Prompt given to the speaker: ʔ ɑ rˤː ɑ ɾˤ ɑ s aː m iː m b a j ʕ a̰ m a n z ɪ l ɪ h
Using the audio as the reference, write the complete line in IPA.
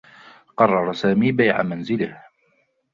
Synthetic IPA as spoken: q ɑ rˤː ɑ ɾˤ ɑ s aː m iː b a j ʕ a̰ m a n z ɪ l ɪ h